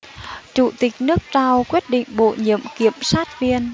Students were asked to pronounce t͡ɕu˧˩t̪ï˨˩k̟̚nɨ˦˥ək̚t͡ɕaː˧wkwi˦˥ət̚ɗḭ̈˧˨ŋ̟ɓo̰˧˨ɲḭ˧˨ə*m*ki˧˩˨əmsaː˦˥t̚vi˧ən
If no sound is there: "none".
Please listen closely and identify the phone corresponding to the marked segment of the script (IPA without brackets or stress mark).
m